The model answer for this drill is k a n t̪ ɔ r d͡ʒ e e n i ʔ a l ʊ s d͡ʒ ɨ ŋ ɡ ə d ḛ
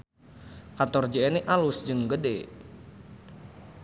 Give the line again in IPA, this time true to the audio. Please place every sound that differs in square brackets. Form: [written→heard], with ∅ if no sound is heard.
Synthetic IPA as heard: k a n t̪ ɔ r d͡ʒ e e n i ʔ a l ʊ s d͡ʒ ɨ ŋ ɡ ə d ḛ